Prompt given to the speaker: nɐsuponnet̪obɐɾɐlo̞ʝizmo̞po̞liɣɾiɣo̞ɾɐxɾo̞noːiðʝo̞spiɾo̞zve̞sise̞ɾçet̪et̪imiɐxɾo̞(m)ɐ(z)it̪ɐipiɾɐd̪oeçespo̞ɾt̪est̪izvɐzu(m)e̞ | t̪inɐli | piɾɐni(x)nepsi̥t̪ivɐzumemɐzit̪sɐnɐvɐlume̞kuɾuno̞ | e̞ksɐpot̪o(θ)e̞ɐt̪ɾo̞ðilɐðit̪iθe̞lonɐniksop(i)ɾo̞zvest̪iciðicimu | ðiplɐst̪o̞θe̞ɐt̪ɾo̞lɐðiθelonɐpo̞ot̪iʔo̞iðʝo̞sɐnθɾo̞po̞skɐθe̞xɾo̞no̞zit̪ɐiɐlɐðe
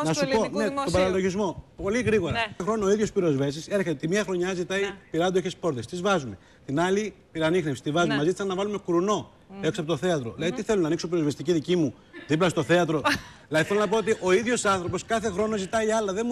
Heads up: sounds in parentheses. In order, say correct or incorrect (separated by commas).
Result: incorrect, correct, correct, correct, correct, correct